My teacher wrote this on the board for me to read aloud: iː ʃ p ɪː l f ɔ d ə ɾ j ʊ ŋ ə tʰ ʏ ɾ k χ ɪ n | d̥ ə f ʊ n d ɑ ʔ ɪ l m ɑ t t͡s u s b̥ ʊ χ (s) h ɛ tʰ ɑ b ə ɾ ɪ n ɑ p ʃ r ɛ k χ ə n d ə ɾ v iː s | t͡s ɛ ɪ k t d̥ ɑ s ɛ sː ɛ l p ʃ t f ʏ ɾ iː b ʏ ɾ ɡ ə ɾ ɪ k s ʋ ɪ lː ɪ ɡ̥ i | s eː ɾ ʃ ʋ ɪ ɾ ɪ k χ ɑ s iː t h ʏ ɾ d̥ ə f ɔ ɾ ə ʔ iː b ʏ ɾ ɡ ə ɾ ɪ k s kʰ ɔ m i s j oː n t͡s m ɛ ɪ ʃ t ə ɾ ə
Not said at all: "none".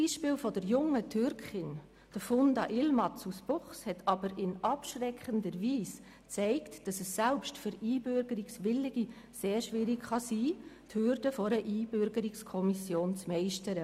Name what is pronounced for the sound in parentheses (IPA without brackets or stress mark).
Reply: s